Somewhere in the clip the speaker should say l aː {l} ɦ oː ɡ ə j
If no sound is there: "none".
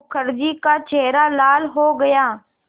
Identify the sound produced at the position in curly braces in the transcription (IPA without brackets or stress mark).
l